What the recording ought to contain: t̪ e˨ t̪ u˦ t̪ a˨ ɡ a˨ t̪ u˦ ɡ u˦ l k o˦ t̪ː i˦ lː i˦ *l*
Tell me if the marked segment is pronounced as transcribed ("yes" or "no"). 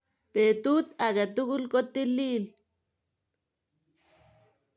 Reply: yes